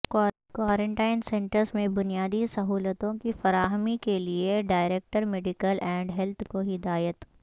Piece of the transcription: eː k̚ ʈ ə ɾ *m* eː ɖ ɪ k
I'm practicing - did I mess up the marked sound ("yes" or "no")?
no